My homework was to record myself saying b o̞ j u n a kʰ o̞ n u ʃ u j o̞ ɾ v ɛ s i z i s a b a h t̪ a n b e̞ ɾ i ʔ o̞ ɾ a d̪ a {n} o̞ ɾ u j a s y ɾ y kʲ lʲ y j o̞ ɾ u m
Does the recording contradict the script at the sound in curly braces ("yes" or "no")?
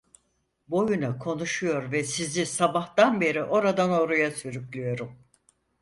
no